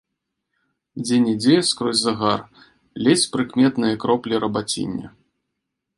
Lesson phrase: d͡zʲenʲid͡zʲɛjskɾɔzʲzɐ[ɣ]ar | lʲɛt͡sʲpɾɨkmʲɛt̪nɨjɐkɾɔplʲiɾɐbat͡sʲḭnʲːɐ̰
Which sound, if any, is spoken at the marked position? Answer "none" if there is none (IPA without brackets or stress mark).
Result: ɣ